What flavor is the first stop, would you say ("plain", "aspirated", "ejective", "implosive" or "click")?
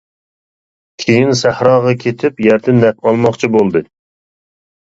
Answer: aspirated